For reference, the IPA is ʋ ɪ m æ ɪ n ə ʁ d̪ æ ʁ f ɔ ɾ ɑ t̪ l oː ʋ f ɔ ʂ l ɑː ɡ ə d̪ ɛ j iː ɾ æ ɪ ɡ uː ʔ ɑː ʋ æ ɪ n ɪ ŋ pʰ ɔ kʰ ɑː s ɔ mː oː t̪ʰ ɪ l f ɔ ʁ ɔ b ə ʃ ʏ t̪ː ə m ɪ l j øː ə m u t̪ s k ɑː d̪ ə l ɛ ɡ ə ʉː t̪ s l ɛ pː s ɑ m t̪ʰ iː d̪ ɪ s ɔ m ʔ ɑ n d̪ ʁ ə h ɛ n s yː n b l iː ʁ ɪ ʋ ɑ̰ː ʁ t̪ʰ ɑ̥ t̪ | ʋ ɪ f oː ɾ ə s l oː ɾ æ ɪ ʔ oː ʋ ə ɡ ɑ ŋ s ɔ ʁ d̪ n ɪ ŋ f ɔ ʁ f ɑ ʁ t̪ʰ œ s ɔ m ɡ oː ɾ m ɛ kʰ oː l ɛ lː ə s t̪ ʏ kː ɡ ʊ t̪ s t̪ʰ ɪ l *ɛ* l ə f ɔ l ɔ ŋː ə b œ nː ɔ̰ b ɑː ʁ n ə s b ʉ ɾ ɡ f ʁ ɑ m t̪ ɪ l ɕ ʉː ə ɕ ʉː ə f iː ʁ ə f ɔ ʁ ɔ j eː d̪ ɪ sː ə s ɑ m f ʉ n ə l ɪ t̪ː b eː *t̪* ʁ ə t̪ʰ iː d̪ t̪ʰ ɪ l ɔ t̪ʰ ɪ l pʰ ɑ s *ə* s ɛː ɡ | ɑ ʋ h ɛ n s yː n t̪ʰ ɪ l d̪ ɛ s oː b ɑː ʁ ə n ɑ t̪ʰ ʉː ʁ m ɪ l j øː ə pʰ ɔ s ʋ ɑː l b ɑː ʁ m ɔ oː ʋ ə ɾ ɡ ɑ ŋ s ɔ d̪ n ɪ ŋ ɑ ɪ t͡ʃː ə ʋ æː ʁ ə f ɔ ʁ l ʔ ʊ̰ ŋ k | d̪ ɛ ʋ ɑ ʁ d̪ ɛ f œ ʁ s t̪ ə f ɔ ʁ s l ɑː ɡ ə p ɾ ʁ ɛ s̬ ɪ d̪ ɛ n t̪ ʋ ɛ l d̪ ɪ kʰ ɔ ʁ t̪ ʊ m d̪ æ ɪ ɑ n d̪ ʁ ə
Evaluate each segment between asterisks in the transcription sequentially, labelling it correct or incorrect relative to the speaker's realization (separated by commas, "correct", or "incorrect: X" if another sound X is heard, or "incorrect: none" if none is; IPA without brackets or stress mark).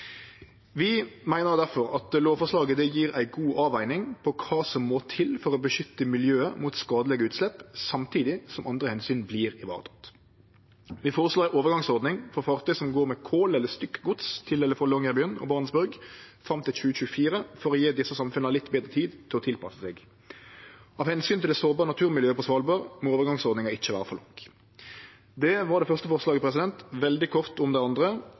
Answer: correct, incorrect: d̪, correct